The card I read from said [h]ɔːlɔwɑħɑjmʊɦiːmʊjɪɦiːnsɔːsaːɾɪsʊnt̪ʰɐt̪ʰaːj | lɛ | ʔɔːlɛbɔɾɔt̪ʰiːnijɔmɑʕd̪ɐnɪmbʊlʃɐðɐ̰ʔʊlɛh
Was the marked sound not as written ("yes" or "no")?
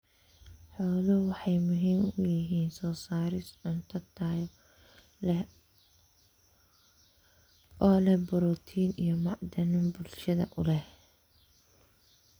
yes